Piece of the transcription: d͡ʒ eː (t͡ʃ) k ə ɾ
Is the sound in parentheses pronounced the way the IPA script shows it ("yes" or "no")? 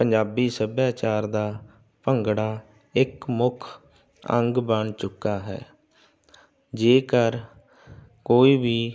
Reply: no